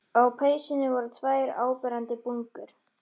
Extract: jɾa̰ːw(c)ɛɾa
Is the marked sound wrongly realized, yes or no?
yes